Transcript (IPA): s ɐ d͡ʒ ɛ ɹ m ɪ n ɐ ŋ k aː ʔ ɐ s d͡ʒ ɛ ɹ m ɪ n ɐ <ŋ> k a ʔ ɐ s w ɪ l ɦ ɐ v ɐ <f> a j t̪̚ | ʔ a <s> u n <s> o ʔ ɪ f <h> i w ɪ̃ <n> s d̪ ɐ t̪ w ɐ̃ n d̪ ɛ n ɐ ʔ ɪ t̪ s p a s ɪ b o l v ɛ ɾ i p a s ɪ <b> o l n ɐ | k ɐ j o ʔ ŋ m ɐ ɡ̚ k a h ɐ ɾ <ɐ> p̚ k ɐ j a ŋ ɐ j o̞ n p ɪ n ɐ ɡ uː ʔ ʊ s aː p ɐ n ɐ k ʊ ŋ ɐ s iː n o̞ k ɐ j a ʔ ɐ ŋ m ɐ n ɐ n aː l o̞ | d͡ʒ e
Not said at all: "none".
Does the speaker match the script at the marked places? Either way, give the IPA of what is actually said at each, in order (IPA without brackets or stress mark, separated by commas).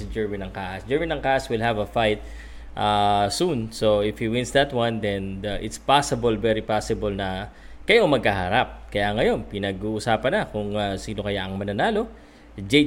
ŋ, f, s, s, h, n, b, a